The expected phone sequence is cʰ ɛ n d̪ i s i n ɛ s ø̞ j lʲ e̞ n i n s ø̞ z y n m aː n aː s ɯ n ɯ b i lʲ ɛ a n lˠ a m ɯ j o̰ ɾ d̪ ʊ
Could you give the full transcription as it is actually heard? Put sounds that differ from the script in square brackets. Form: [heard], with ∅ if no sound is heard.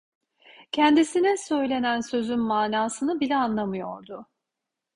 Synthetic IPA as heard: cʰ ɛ n d̪ i s i n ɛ s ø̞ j lʲ e̞ n [æ] n s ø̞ z y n m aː n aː s ɯ n ɯ b i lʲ ɛ a n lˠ a m ɯ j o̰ ɾ d̪ ʊ